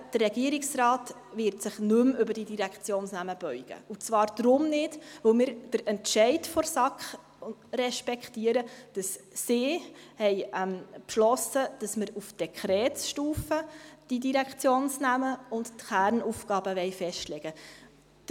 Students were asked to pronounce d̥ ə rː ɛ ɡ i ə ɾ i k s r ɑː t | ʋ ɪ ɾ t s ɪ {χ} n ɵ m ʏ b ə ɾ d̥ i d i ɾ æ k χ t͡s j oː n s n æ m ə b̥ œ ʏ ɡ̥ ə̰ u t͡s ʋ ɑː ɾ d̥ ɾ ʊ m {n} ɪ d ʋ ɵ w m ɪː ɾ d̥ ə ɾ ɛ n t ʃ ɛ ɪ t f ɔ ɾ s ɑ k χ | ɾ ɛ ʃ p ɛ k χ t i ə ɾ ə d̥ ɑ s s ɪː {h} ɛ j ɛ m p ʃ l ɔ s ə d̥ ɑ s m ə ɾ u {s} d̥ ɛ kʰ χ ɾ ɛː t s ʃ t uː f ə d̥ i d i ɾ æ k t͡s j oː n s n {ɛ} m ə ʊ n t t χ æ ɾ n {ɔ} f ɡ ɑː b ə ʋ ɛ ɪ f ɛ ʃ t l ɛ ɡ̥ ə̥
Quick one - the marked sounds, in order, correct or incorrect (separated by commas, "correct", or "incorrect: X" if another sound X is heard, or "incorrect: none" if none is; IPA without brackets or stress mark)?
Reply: correct, correct, correct, incorrect: f, incorrect: æ, incorrect: u